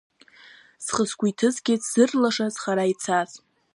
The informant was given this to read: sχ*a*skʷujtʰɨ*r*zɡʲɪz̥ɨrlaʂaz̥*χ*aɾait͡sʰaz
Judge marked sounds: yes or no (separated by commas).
no, no, yes